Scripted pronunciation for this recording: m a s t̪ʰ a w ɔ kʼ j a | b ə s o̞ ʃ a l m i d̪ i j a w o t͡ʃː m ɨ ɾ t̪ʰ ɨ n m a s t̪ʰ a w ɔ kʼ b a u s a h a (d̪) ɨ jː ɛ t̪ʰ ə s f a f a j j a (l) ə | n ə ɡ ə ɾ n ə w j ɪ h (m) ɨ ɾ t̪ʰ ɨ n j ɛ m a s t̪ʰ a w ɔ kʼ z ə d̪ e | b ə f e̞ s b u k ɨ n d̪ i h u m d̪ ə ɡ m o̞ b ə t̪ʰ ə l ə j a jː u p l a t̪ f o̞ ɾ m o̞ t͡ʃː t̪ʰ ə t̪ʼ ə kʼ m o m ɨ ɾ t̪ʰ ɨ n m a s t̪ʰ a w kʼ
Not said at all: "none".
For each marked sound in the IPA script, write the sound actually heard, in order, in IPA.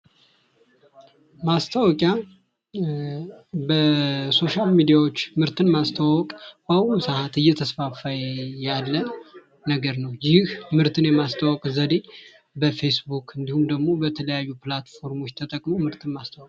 t̪, lː, m

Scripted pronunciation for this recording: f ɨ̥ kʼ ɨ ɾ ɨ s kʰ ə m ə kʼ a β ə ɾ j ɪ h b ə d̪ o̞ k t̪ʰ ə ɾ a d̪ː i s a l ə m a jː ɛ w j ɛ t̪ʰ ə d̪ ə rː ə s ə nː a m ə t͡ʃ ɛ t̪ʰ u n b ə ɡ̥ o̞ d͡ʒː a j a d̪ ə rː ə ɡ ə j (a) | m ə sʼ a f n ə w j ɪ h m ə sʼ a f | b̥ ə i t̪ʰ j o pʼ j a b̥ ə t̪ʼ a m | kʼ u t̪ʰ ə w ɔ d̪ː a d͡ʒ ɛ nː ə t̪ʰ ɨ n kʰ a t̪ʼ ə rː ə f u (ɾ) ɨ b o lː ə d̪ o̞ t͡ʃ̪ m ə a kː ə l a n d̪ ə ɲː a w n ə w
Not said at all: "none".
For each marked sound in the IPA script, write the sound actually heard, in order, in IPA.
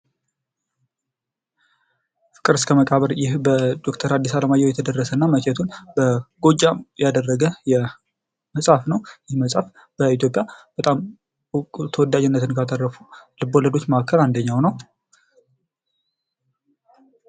ɛ, l

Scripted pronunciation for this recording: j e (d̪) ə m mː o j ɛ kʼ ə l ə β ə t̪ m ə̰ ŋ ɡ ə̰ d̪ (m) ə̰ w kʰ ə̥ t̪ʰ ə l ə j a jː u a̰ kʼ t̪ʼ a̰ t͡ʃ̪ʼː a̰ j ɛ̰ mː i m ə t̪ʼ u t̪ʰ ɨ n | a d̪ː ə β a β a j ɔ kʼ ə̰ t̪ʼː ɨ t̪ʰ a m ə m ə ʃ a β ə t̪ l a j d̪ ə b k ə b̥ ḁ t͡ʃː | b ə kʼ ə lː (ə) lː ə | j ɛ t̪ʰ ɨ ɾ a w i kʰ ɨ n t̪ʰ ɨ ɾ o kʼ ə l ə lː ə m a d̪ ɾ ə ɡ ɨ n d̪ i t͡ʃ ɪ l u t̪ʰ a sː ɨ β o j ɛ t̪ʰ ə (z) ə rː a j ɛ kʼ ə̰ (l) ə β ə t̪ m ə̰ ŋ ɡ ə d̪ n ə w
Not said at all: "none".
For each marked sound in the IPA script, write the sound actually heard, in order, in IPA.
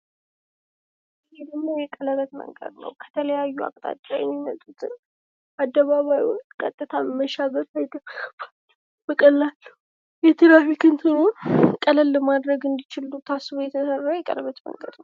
d̪, n, a, s, l

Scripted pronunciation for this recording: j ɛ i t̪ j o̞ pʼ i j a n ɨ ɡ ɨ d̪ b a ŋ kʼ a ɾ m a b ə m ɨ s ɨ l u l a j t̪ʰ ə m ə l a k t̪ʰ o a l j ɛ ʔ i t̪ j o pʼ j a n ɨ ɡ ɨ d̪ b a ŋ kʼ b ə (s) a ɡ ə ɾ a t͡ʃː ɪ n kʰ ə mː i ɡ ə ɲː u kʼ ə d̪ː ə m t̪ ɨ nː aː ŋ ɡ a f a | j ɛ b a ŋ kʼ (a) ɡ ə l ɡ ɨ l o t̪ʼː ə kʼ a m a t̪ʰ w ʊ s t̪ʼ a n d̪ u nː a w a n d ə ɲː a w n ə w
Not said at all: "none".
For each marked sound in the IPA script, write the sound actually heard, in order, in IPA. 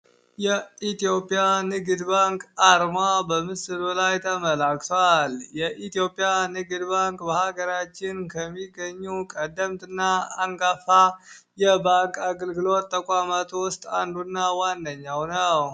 h, a

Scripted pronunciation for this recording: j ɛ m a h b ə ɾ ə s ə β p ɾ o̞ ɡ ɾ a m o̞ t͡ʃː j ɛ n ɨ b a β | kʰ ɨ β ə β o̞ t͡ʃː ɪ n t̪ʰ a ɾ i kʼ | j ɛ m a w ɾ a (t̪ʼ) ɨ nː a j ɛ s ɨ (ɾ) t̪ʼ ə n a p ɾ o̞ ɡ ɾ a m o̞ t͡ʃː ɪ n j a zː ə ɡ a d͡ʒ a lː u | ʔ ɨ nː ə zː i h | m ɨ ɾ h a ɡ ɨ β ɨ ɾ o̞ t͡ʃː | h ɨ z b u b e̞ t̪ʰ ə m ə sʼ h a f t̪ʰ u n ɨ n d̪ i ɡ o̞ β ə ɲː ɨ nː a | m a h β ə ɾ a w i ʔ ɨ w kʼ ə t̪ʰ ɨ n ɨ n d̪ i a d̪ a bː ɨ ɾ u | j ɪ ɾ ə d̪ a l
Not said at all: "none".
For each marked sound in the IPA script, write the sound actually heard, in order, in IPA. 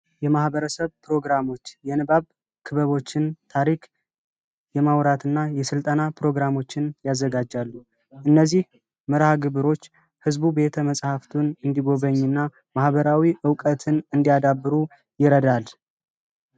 t̪, l

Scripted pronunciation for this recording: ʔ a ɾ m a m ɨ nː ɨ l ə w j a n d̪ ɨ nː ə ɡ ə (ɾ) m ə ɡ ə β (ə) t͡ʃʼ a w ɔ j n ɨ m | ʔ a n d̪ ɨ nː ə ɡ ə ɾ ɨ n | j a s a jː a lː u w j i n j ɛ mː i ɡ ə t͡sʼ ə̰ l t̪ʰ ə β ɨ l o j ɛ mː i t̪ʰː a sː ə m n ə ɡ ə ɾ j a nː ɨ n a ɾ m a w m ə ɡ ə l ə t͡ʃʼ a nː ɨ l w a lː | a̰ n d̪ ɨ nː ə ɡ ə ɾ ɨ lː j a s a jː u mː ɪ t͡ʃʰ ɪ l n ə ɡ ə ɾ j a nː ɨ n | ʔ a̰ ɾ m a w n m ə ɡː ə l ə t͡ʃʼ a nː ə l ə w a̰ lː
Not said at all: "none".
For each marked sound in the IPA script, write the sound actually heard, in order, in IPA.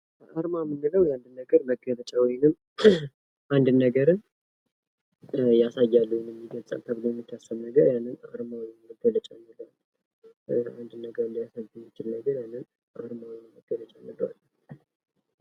ɾ, ə

